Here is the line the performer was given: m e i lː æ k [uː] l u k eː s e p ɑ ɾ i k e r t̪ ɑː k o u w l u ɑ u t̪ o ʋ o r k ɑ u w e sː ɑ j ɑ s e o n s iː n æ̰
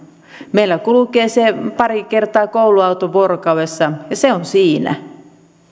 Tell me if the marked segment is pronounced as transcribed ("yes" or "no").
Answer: no